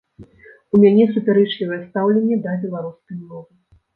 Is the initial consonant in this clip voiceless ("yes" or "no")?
no